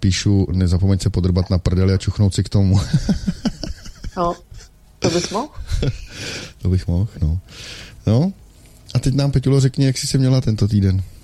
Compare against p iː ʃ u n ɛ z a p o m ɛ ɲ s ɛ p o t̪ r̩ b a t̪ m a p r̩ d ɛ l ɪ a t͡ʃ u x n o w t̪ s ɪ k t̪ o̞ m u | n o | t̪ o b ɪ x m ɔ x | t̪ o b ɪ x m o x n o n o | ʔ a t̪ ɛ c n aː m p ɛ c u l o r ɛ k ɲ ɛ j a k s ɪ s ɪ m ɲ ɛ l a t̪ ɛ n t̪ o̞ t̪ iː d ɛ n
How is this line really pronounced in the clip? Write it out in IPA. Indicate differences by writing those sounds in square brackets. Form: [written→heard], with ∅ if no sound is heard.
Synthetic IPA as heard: p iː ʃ u n ɛ z a p o m ɛ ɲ s ɛ p o [t̪→d̪] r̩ b a t̪ [m→n] a p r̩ d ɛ l ɪ a t͡ʃ u x n o w t̪ s ɪ k t̪ o̞ m u | n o | t̪ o b ɪ x m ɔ x | t̪ o b ɪ x m o x n o n o | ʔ a t̪ ɛ c n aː m p ɛ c u l o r ɛ k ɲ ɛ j a k s ɪ s ɪ m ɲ ɛ l a t̪ ɛ n t̪ o̞ t̪ iː d ɛ n